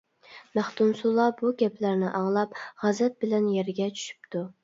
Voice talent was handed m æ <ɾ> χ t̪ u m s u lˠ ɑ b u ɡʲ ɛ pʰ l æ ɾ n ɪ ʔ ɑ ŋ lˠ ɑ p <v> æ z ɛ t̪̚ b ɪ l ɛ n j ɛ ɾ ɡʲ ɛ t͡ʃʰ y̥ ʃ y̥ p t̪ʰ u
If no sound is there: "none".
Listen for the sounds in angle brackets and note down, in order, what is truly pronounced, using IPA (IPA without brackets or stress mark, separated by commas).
none, ʁ